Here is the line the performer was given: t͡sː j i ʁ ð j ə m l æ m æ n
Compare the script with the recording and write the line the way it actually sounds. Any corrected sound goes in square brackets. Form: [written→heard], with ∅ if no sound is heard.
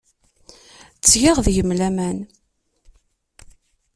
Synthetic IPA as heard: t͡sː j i ʁ ð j ə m l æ m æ n